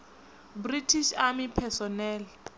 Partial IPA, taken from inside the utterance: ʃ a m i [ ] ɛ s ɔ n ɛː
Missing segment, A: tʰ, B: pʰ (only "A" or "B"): B